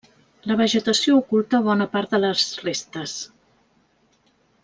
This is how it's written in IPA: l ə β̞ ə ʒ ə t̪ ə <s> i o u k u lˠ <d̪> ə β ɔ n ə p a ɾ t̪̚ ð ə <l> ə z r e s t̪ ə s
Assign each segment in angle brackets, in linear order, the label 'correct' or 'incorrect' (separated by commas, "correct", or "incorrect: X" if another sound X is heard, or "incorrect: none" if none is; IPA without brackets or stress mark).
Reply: correct, incorrect: t̪, correct